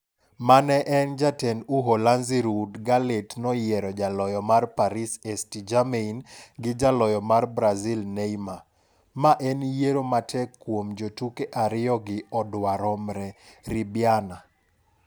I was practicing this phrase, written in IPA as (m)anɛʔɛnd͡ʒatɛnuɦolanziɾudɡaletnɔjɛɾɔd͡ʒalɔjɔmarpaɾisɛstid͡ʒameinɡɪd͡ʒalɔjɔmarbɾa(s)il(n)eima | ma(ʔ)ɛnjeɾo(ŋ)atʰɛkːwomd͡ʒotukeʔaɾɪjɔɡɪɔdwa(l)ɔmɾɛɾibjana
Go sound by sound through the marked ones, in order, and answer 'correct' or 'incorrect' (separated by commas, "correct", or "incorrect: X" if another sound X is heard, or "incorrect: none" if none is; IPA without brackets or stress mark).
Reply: correct, incorrect: z, correct, correct, incorrect: m, incorrect: ɾ